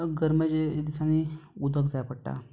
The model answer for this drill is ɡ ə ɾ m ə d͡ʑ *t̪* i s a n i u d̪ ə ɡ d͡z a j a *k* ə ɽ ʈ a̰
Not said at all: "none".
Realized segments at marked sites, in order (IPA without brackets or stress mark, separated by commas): d̪, p